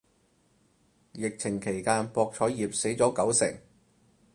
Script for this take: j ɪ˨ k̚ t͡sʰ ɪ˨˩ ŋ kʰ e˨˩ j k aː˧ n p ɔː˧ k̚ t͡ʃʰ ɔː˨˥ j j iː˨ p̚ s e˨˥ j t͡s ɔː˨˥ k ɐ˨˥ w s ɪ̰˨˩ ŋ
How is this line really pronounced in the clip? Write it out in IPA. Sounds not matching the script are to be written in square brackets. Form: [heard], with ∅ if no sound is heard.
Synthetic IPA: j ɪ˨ k̚ t͡sʰ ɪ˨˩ ŋ kʰ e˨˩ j k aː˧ n p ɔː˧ k̚ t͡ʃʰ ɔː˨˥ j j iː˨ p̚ s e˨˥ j t͡s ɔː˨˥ k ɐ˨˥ w s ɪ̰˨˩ ŋ